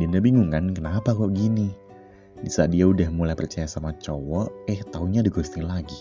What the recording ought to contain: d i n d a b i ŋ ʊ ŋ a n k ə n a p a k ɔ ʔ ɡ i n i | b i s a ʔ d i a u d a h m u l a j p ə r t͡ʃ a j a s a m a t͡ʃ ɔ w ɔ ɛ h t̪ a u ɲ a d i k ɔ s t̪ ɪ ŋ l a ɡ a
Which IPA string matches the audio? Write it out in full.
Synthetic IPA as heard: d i n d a b i ŋ u ŋ a n k ə n a p a k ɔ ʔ ɡ i n i | b i s a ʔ d i a u d a h m u l a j p ə r t͡ʃ a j a s a m a t͡ʃ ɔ w ɔ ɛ h t̪ a u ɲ a d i ɡ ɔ s t̪ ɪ ŋ l a ɡ i